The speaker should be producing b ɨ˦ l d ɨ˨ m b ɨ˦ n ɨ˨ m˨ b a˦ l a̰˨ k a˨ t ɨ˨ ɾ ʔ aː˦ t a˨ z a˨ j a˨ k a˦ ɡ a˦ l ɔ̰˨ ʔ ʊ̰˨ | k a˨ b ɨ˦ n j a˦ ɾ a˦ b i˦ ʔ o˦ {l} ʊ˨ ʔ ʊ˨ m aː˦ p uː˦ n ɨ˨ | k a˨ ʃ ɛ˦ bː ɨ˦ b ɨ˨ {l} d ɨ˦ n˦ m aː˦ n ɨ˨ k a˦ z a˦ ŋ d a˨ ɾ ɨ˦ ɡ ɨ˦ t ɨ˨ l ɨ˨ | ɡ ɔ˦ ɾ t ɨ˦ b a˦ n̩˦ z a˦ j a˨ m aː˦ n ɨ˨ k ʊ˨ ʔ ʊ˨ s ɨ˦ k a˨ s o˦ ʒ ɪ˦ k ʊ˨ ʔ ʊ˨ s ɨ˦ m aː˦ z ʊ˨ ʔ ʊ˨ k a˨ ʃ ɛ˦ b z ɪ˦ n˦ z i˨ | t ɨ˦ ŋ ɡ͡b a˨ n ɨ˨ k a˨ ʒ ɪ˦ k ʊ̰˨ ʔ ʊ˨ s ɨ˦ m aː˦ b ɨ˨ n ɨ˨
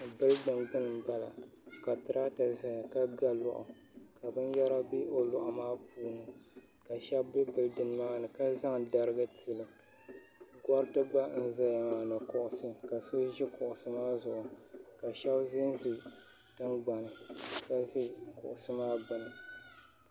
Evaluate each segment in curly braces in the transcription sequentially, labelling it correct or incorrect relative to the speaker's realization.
correct, correct

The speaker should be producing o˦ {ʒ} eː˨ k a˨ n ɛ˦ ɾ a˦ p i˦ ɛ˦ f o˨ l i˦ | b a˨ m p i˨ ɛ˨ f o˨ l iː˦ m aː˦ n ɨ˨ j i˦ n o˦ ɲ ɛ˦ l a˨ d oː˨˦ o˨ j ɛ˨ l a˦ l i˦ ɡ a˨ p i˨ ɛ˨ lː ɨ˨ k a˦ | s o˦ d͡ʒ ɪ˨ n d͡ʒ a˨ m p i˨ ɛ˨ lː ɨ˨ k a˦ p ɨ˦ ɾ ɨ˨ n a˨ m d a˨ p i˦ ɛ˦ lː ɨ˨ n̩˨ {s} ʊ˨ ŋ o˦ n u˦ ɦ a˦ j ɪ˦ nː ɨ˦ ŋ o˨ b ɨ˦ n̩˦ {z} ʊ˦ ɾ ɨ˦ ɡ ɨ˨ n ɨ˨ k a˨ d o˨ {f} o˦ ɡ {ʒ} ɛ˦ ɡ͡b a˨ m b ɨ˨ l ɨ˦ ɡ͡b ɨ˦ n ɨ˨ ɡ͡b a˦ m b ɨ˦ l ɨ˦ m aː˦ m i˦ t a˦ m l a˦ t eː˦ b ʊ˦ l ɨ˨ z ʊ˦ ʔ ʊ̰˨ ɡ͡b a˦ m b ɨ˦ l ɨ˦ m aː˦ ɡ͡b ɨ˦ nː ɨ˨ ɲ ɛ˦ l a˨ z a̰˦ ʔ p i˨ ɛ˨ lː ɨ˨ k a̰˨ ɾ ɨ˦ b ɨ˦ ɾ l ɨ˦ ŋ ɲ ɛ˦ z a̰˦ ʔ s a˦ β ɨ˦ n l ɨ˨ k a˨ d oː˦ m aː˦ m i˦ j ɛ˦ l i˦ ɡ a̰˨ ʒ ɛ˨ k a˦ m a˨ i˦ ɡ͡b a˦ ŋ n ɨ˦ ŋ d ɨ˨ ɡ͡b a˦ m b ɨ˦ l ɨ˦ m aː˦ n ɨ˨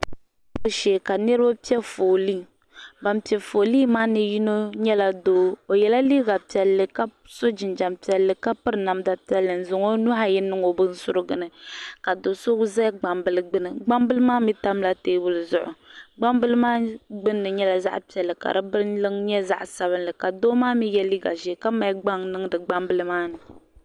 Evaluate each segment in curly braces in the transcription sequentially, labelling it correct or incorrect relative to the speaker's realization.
incorrect: ʃ, incorrect: z, incorrect: s, incorrect: s, incorrect: z

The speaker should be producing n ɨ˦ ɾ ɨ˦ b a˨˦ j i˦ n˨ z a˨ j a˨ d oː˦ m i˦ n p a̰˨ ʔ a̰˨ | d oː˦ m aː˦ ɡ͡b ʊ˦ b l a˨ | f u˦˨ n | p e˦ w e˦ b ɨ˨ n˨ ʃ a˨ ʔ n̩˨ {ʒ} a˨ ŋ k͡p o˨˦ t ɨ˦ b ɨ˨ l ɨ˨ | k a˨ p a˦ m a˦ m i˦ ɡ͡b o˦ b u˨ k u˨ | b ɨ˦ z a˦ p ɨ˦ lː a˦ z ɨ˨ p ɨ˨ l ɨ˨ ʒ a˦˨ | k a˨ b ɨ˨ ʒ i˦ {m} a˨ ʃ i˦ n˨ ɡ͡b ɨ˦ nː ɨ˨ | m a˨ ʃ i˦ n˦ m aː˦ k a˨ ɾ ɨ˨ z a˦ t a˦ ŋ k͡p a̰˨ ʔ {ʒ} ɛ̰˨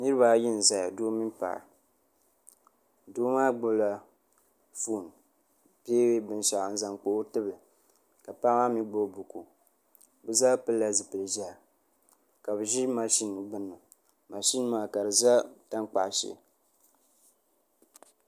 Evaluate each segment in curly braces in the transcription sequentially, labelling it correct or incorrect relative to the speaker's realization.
incorrect: z, correct, incorrect: ʃ

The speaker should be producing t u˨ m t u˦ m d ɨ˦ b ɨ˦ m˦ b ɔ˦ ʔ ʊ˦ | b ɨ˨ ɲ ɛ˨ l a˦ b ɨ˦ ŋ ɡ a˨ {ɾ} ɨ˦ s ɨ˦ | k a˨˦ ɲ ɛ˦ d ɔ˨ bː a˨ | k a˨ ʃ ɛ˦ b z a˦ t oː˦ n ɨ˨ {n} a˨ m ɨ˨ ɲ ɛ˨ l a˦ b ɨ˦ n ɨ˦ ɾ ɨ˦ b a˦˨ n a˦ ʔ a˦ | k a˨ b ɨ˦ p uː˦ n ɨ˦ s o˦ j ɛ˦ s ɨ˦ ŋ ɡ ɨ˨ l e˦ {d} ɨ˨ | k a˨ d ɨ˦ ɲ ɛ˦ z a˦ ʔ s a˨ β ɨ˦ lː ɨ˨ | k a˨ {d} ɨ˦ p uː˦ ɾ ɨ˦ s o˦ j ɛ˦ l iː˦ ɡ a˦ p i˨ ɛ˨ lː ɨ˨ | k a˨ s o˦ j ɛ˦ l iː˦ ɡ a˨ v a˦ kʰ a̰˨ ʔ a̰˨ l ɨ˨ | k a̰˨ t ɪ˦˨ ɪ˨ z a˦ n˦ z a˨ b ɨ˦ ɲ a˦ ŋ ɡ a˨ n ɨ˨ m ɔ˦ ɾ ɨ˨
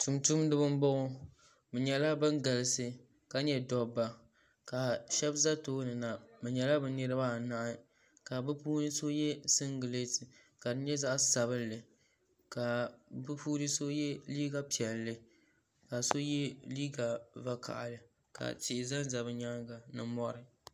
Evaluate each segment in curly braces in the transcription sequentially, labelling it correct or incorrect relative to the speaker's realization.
incorrect: l, correct, incorrect: t, incorrect: b

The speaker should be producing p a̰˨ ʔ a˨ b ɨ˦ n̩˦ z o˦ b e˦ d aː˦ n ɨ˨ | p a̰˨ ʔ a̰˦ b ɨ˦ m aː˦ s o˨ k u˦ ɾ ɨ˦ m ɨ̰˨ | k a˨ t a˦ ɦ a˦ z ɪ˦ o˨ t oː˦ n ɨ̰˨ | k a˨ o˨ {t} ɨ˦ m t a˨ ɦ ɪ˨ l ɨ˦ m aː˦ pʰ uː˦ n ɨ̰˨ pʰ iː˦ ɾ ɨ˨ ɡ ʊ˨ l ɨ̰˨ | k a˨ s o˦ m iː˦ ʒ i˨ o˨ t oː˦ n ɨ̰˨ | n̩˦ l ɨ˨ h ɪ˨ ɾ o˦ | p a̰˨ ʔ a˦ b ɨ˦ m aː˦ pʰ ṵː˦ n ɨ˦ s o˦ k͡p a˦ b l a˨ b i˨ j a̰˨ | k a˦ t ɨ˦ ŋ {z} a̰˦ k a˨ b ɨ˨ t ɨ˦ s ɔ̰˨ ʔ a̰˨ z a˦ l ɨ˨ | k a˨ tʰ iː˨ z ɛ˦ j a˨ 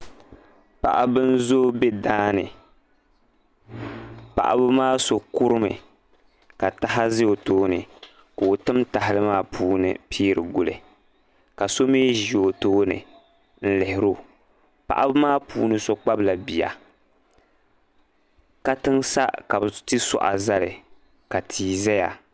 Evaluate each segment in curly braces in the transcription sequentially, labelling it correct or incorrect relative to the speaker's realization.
correct, incorrect: s

